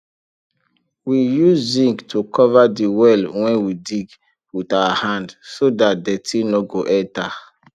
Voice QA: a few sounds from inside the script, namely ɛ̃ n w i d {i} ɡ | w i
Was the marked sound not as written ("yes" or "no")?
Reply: no